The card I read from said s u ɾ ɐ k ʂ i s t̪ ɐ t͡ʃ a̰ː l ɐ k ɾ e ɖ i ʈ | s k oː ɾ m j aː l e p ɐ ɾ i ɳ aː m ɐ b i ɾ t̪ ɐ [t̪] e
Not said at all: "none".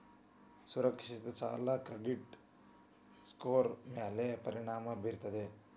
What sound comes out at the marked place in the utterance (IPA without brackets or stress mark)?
d̪